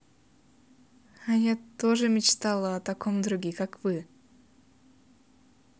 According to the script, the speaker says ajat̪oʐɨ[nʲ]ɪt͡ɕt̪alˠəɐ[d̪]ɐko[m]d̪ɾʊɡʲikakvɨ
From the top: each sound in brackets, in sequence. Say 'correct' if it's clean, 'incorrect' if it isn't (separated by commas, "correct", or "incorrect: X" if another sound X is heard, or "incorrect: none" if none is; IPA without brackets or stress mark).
incorrect: mʲ, incorrect: t̪, correct